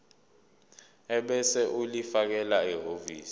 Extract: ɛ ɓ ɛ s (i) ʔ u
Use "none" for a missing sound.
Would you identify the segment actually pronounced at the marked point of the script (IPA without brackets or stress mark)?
ɛ